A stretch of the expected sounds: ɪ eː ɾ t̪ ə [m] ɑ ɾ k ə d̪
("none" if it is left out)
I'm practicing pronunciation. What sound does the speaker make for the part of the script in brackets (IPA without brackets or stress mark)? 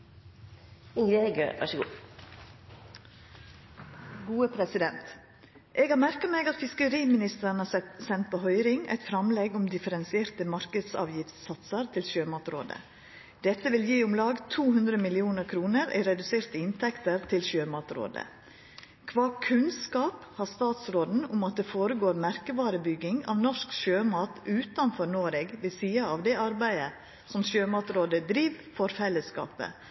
m